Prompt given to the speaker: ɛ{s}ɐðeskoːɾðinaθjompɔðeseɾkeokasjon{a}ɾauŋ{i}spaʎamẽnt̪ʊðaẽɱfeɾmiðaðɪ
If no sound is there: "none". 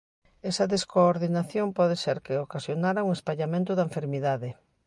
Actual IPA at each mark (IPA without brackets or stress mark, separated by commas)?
s, a, e